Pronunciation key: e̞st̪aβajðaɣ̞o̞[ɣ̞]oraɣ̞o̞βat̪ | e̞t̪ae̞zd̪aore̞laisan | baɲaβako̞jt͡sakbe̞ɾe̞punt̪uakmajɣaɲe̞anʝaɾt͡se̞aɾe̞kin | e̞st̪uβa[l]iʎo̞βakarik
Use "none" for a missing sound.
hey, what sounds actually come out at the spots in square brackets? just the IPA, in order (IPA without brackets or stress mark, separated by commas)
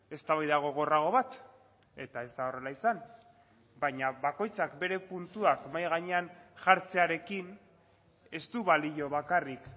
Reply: ɣ̞, l